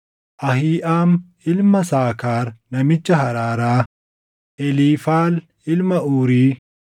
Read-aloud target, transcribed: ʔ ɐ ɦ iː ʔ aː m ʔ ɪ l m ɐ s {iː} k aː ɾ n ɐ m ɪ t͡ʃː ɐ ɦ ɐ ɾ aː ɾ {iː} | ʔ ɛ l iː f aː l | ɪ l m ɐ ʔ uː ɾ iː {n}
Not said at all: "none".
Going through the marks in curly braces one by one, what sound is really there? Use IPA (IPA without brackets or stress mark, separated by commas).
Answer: aː, aː, none